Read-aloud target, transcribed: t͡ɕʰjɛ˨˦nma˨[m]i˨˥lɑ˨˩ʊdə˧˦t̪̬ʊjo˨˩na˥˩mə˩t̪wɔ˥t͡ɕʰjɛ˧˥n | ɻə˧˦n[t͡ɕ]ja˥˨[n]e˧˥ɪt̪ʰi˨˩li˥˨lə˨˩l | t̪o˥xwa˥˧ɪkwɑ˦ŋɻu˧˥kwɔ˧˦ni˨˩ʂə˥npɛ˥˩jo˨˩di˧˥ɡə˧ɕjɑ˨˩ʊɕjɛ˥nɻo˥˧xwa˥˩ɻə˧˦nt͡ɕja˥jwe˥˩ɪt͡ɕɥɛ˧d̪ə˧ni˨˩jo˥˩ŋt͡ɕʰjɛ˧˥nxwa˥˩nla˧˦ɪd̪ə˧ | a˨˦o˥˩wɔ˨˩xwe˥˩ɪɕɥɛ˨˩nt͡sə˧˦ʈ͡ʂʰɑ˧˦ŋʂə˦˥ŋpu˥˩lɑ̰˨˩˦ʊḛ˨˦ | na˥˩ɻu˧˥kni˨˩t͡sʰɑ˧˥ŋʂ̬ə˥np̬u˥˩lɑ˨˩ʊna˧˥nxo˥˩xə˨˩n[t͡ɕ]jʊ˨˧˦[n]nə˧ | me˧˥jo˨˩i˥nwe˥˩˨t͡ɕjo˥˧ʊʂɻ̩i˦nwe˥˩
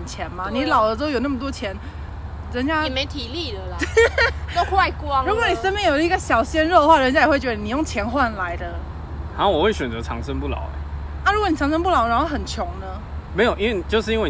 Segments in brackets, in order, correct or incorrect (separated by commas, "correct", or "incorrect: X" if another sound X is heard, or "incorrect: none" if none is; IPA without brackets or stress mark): incorrect: n, correct, incorrect: m, incorrect: t͡ɕʰ, incorrect: ŋ